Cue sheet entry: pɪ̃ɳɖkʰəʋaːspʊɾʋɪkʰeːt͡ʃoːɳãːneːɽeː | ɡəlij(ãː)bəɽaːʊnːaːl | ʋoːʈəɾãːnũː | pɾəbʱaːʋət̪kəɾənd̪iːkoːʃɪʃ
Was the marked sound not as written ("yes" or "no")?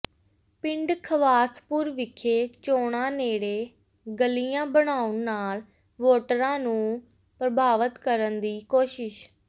no